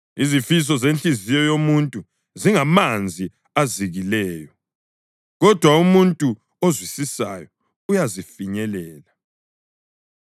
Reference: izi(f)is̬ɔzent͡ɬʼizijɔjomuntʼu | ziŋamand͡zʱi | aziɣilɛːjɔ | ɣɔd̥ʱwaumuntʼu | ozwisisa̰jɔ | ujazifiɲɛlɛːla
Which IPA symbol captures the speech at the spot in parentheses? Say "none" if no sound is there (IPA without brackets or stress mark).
f